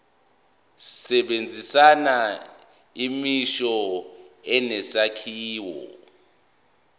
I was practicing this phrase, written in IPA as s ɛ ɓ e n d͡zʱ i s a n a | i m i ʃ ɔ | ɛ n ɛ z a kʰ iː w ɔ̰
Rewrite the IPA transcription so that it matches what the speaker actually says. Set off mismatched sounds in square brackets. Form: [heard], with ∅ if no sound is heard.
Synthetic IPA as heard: s ɛ ɓ e n d͡zʱ i s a n a | i m i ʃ ɔ | ɛ n ɛ [s] a kʰ iː w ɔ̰